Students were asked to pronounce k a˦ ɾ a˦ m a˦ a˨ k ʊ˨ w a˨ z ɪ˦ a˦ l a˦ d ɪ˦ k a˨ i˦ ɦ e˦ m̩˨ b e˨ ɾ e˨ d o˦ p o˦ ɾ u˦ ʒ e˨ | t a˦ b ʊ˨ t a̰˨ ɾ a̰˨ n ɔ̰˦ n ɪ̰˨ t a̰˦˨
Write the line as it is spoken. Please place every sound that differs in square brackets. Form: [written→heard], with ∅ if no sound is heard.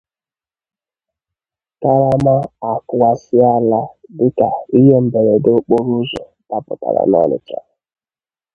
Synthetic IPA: k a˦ ɾ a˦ m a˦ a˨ k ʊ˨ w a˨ [z→s] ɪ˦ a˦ l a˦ d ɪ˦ k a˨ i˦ ɦ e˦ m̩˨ b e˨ ɾ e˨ d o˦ [p→k͡p] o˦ ɾ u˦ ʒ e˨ | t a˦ [b→p] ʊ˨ t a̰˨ ɾ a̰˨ n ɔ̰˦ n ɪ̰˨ [t→t͡ʃ] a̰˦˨